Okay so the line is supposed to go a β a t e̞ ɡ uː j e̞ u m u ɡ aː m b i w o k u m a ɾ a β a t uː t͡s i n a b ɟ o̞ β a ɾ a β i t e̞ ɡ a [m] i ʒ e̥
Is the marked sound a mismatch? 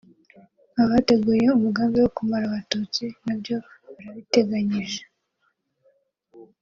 yes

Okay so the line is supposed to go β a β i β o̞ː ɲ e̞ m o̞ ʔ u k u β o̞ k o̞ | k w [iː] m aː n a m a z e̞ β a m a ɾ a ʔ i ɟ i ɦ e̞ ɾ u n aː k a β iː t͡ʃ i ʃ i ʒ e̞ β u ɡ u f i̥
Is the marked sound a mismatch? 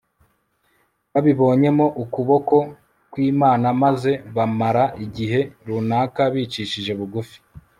no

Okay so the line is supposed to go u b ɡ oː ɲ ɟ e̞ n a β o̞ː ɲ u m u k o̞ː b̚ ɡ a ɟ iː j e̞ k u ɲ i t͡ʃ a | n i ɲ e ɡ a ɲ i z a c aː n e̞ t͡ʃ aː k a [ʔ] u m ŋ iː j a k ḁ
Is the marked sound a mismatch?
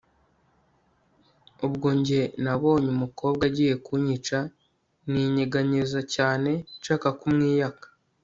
yes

